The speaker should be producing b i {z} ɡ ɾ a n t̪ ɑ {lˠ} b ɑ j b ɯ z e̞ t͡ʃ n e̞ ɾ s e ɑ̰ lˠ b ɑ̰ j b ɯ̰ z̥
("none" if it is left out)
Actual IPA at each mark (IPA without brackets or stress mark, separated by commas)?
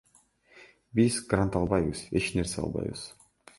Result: z, lˠ